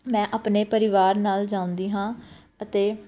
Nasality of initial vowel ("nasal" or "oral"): nasal